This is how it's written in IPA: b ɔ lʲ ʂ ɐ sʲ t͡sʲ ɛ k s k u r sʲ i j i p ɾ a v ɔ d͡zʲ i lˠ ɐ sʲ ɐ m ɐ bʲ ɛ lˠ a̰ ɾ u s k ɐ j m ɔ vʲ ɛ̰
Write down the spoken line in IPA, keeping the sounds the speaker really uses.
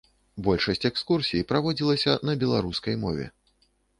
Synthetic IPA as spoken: b ɔ lʲ ʂ ɐ sʲ t͡sʲ ɛ k s k u r sʲ i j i p ɾ a v ɔ d͡zʲ i lˠ ɐ sʲ ɐ n ɐ bʲ ɛ lˠ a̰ ɾ u s k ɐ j m ɔ vʲ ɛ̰